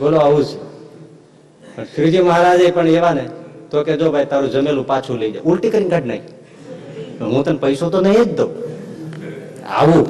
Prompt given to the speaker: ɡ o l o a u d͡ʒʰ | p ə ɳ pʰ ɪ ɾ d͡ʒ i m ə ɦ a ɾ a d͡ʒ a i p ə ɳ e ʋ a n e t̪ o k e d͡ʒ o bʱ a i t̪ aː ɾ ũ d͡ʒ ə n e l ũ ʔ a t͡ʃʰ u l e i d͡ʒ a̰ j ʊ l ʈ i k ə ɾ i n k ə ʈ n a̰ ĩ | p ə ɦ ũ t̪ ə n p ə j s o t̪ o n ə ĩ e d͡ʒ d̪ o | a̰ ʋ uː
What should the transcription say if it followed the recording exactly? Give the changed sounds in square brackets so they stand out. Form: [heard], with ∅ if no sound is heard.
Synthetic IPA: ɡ o l o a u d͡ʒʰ | p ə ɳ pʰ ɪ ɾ d͡ʒ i m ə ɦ a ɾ a d͡ʒ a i p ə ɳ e ʋ a n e t̪ o k e d͡ʒ o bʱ a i t̪ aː ɾ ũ d͡ʒ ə [m] e l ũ [p] a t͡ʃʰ u l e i d͡ʒ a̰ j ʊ l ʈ i k ə ɾ i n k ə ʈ n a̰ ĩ | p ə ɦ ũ t̪ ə n p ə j s o t̪ o n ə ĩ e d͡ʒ d̪ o | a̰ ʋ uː